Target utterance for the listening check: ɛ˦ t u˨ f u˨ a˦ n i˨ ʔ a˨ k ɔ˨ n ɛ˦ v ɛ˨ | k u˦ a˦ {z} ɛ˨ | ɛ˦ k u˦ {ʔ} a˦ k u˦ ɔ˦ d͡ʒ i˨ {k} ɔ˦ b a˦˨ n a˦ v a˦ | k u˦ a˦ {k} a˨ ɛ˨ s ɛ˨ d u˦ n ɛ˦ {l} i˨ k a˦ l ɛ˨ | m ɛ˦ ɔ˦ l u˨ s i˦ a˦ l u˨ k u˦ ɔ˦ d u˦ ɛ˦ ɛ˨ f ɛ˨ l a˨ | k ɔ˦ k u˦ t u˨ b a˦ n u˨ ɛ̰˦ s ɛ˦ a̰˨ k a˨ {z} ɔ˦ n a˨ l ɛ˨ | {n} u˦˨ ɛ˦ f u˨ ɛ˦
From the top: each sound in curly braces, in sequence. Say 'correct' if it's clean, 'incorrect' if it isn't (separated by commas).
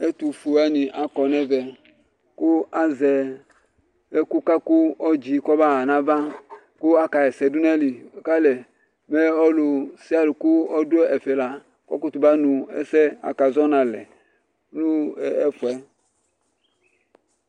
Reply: correct, incorrect, correct, correct, correct, correct, correct